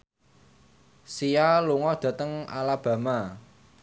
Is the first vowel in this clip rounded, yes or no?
no